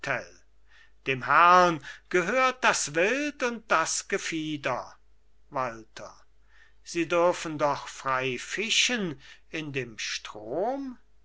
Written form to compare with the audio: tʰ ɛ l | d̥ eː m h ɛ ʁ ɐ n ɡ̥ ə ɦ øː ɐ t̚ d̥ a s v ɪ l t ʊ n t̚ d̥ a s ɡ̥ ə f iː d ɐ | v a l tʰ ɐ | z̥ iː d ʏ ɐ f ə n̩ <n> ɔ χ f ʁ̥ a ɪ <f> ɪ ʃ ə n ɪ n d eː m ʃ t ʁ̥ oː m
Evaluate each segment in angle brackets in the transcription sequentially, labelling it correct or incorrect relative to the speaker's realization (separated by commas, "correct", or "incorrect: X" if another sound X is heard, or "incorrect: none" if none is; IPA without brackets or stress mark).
incorrect: d, correct